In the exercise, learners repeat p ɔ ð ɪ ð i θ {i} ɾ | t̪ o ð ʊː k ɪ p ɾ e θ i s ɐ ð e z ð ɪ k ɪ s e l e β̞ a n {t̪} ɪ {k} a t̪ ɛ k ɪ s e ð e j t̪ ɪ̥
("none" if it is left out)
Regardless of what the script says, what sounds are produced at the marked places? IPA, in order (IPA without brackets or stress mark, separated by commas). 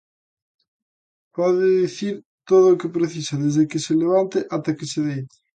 i, t̪, ʔ